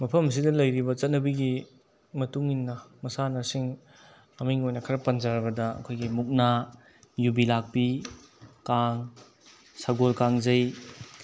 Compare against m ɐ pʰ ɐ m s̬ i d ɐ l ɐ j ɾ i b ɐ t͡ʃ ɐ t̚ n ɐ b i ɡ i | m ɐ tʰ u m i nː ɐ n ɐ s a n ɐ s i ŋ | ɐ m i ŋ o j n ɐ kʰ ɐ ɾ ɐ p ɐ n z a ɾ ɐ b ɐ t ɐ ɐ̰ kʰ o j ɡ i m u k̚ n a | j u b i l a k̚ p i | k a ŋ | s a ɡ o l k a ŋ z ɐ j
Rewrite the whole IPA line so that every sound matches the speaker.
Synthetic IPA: m ɐ pʰ ɐ m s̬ i d ɐ l ɐ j ɾ i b ɐ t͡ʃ ɐ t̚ n ɐ b i ɡ i | m ɐ t u ŋ i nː ɐ m ɐ s a n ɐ s i ŋ | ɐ m i ŋ o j n ɐ kʰ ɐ ɾ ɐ p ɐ n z a ɾ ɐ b ɐ d ɐ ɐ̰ kʰ o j ɡ i m u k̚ n a | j u b i l a k̚ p i | k a ŋ | s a ɡ o l k a ŋ z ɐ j